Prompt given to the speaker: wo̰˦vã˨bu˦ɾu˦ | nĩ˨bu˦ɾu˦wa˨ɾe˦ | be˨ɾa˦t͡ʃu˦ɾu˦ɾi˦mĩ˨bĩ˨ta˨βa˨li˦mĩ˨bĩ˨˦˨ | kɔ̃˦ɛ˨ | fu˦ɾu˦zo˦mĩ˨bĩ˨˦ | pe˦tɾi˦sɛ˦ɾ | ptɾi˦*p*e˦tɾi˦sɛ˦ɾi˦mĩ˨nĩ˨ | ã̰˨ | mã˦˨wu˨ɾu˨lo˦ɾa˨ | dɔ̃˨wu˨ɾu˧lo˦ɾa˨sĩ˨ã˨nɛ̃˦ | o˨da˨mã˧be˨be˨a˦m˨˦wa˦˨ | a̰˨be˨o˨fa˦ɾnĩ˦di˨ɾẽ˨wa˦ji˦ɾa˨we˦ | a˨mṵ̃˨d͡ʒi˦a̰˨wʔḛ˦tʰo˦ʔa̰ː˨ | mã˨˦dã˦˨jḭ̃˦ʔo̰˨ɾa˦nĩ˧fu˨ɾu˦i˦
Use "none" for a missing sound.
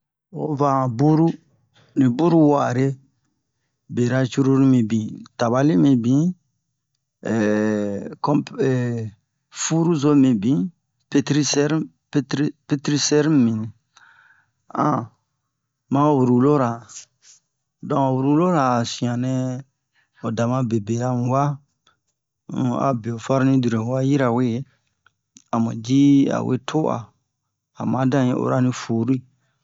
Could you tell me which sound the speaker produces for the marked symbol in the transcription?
p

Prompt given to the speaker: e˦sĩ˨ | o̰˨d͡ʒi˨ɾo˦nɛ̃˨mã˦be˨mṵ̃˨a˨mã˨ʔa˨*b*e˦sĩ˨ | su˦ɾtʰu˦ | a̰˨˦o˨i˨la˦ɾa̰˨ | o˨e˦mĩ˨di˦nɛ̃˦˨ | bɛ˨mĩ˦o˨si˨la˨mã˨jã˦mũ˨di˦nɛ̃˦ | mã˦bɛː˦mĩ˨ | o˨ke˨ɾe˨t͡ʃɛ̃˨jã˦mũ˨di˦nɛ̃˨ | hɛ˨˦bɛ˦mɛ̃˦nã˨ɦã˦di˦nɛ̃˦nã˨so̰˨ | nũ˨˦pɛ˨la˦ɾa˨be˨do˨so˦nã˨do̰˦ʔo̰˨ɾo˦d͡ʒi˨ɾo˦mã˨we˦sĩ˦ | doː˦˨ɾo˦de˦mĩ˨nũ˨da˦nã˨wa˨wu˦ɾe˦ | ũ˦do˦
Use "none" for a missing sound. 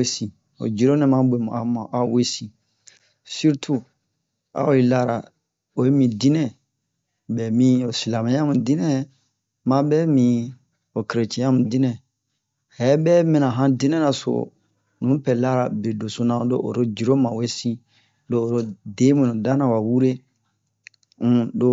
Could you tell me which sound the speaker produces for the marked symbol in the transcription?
w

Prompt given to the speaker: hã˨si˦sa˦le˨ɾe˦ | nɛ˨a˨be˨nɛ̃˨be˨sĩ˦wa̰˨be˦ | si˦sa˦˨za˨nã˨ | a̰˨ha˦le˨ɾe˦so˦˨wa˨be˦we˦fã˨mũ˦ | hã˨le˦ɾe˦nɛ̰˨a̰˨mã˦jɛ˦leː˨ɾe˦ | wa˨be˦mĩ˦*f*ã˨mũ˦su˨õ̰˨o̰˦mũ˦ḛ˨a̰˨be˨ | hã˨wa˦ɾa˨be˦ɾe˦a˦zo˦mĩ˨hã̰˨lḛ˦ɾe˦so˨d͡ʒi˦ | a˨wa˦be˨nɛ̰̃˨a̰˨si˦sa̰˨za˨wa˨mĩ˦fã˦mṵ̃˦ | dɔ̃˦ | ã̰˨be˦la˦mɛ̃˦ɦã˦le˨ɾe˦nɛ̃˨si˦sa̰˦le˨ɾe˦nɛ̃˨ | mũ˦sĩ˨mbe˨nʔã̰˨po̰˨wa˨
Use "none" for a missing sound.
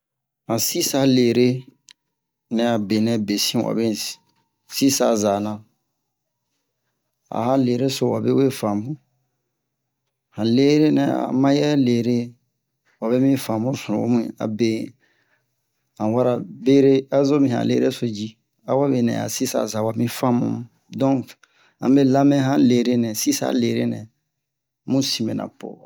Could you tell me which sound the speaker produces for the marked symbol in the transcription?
f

